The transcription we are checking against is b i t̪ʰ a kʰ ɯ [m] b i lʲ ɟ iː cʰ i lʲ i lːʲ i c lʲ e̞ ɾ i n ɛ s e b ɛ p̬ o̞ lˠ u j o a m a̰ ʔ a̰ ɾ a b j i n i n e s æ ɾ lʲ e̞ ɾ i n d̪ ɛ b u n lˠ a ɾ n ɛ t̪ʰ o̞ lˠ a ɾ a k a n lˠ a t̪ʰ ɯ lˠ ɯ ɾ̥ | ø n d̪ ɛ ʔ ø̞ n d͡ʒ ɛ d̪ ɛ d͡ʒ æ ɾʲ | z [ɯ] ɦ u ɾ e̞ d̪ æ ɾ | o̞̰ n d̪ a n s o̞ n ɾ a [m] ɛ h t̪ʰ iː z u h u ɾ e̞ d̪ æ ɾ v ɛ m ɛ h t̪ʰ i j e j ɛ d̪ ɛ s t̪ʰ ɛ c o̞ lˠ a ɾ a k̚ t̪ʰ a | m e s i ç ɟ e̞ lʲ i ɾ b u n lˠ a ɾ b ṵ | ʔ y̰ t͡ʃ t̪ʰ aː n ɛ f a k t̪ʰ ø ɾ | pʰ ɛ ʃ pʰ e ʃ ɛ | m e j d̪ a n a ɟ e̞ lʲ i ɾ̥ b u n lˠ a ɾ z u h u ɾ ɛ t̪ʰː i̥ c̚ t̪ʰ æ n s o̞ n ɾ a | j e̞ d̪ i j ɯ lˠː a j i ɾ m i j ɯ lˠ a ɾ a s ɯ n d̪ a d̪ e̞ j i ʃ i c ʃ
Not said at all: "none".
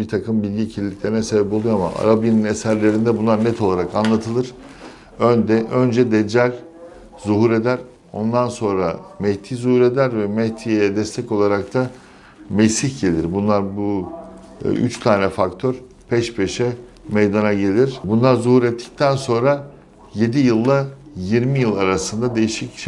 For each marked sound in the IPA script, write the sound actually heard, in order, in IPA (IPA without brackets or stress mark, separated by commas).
m, u, m